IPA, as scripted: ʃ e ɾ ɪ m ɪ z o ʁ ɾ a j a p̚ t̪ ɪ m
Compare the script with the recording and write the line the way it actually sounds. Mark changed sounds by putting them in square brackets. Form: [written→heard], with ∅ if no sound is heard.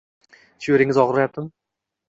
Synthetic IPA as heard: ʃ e ɾ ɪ [m→ŋ] ɪ z [o→ɒ] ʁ ɾ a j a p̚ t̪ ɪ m